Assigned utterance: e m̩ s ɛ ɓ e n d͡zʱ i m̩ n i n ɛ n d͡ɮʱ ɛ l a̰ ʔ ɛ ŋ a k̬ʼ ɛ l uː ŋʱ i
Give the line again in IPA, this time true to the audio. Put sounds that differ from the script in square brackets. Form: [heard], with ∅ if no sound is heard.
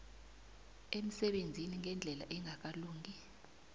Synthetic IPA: e m̩ s ɛ ɓ e n d͡zʱ i [∅] n i [ŋ] ɛ n d͡ɮʱ ɛ l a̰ ʔ ɛ ŋ a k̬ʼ [a] l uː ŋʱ i